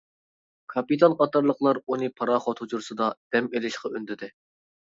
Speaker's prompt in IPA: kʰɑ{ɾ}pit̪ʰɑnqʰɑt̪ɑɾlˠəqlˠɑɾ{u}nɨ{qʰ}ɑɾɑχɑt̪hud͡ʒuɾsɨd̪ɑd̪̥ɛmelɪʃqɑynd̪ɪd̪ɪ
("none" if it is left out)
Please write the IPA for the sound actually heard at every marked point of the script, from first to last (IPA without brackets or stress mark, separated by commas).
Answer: none, u, pʰ